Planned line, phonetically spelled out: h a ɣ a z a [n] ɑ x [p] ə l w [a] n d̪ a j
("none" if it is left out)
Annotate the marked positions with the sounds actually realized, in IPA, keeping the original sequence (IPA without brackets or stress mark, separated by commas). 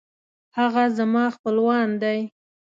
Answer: m, p, ɑ